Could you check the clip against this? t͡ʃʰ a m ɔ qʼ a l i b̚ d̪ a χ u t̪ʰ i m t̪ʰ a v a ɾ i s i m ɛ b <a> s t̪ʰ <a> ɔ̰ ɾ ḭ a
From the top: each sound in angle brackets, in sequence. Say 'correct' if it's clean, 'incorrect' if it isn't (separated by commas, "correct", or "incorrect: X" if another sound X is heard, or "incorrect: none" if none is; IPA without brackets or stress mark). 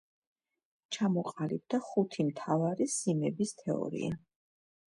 incorrect: i, incorrect: ɛ